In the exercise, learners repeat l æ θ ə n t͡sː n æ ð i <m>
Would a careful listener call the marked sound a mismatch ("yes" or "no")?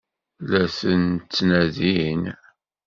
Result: yes